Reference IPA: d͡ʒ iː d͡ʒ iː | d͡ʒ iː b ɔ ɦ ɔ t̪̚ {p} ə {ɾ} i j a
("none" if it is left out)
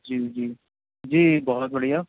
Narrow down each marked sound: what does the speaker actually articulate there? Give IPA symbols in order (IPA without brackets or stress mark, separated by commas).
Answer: b, ɽ